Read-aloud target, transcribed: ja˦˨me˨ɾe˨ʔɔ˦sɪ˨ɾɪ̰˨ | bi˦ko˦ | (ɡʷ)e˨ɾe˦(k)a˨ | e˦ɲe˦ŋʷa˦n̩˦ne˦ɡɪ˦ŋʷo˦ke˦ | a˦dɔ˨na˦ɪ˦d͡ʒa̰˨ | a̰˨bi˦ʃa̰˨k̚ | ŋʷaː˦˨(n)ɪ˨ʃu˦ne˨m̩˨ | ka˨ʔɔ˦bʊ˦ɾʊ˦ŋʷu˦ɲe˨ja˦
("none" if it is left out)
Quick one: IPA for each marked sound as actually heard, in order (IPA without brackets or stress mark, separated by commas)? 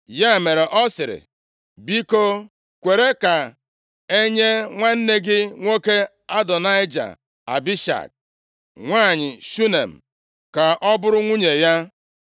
kʷ, k, ɲ